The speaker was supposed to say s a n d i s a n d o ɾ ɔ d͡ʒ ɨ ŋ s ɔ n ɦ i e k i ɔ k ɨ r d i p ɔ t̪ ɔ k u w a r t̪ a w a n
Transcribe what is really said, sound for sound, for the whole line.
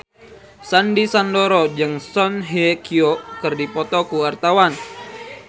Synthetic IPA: s a n d i s a n d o ɾ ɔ d͡ʒ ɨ ŋ s ɔ n ɦ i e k i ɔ k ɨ r d i p ɔ t̪ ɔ k u w a r t̪ a w a n

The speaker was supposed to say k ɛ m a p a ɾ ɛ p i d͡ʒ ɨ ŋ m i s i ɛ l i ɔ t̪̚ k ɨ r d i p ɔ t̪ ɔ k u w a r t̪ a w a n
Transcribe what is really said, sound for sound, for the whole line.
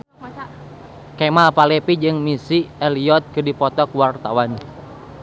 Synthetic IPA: k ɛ m a p a l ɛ p i d͡ʒ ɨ ŋ m i s i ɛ l i ɔ t̪̚ k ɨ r d i p ɔ t̪ ɔ k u w a r t̪ a w a n

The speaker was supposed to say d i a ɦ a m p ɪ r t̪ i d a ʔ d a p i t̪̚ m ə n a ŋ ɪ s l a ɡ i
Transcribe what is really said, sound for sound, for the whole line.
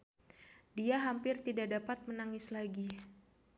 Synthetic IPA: d i a ɦ a m p ɪ r t̪ i d a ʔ d a p a t̪̚ m ə n a ŋ ɪ s l a ɡ i

